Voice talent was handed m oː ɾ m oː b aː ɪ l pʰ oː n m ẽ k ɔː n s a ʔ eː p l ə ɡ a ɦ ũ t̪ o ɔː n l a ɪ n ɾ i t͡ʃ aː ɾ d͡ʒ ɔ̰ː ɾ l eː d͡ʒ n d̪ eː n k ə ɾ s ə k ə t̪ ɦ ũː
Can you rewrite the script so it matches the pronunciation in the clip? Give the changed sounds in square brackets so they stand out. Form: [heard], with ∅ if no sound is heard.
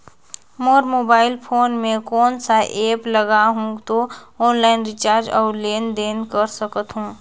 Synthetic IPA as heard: m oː ɾ m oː b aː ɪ l pʰ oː n m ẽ k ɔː n s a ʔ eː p l ə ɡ a ɦ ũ t̪ o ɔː n l a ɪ n ɾ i t͡ʃ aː ɾ d͡ʒ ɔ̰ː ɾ l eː [∅] n d̪ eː n k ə ɾ s ə k ə t̪ ɦ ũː